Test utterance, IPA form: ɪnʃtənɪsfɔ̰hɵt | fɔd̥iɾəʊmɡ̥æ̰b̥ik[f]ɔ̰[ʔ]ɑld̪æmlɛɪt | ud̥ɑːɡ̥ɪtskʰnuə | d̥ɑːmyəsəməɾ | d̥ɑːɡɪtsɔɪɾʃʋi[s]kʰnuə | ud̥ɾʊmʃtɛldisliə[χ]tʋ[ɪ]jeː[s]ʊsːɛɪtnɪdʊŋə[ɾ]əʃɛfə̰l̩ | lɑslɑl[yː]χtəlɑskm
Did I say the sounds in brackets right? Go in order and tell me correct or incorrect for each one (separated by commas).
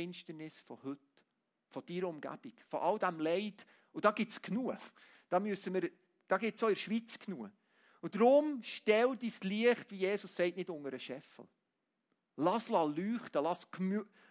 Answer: correct, correct, incorrect, correct, incorrect, correct, correct, correct